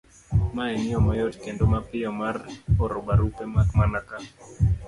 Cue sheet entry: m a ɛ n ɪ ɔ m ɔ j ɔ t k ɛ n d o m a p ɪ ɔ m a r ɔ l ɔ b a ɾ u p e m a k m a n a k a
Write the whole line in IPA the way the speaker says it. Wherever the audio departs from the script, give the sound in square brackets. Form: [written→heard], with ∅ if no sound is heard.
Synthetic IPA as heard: m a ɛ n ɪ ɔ m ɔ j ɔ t k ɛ n d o m a p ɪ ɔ m a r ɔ [l→ɾ] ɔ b a ɾ u p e m a k m a n a k a